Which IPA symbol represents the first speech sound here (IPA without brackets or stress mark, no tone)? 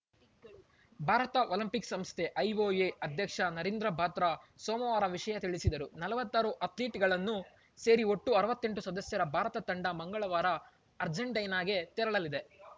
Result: bʱ